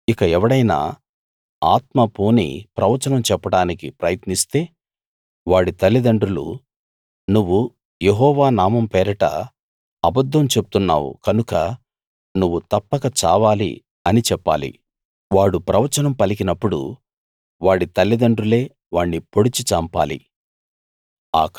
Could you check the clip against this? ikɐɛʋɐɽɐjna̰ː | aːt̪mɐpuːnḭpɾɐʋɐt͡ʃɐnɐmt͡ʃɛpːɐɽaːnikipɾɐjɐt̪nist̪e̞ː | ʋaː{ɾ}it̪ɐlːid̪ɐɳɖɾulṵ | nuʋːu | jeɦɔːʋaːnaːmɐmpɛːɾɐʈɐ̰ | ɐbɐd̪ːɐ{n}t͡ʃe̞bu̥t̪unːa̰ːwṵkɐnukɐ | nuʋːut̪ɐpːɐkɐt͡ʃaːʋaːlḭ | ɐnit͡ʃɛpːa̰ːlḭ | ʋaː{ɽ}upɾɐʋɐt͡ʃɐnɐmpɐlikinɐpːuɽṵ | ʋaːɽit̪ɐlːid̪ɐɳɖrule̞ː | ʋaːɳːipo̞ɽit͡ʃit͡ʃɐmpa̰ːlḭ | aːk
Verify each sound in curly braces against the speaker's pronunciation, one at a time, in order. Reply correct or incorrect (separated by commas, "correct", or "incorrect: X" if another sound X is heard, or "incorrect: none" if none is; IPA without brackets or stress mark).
incorrect: ɽ, incorrect: m, correct